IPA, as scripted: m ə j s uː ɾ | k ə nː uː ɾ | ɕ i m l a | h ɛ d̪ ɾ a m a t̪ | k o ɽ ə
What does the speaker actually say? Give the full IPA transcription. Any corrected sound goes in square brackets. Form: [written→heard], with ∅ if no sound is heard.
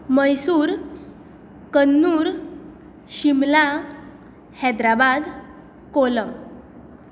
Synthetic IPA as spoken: m ə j s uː ɾ | k ə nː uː ɾ | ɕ i m l a | h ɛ d̪ ɾ a [m→b] a [t̪→d̪] | k o [ɽ→l] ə